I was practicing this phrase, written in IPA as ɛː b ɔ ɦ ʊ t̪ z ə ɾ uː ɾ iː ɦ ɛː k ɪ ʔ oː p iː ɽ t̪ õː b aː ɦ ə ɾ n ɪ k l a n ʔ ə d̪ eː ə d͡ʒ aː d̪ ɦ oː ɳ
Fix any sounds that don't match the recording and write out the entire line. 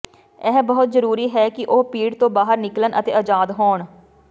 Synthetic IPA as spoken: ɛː b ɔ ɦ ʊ t̪ z ə ɾ uː ɾ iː ɦ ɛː k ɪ ʔ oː p iː ɽ t̪ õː b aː ɦ ə ɾ n ɪ k l ə n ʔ ə t̪ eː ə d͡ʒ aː d̪ ɦ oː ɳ

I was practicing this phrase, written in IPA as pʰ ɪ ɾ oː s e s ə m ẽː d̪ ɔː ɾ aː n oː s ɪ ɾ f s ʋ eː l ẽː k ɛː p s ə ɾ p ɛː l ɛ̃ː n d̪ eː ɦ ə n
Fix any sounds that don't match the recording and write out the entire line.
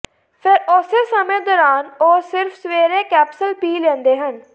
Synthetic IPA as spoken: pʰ ɪ ɾ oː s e s ə m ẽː d̪ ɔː ɾ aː n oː s ɪ ɾ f s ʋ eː ɾ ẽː k ɛː p s ə l p iː l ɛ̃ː n d̪ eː ɦ ə n

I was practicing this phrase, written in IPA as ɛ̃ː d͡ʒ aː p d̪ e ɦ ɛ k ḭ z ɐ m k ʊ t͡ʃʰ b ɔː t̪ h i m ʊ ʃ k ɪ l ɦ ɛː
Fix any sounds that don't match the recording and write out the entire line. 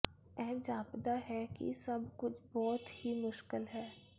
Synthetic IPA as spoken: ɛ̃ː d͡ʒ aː p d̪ a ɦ ɛ k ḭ s ɐ b k ʊ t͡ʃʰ b ɔː t̪ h i m ʊ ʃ k ɪ l ɦ ɛː

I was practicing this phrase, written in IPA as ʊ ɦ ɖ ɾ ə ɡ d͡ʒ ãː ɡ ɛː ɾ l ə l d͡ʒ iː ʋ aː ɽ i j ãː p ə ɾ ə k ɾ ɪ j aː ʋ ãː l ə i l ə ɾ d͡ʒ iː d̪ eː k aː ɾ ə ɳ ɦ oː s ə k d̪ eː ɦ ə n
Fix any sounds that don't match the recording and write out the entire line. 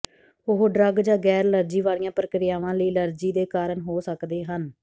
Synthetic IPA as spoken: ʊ ɦ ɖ ɾ ə ɡ d͡ʒ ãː ɡ ɛː ɾ l ə ɾ d͡ʒ iː ʋ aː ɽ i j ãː p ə ɾ ə k ɾ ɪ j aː ʋ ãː l ə iː l ə ɾ d͡ʒ iː d̪ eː k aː ɾ ə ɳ ɦ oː s ə k d̪ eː ɦ ə n

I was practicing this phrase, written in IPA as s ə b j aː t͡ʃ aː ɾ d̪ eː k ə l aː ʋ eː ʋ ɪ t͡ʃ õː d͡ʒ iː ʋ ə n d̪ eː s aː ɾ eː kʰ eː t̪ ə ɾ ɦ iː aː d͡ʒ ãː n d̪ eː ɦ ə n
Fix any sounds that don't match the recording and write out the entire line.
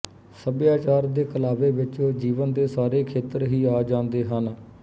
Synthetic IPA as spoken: s ə b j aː t͡ʃ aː ɾ d̪ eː k ə l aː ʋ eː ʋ ɪ t͡ʃ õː d͡ʒ iː ʋ ə n d̪ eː s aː ɾ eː kʰ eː t̪ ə ɾ ɦ iː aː d͡ʒ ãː n d̪ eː ɦ ə n

